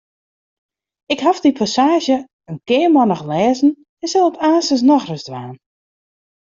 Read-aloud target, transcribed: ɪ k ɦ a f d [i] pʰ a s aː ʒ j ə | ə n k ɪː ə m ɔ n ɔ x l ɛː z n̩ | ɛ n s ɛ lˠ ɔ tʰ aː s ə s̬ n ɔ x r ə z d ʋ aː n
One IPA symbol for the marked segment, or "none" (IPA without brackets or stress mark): i